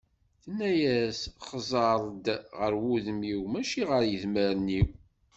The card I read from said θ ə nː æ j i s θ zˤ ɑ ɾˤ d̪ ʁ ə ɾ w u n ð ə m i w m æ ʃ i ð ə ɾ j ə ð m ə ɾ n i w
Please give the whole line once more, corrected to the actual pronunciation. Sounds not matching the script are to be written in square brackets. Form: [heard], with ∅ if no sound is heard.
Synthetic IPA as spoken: θ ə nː æ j [æ] s [χ] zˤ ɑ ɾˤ d̪ ʁ ə ɾ w u [∅] ð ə m i w m æ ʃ i [ʁ] ə ɾ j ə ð m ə ɾ n i w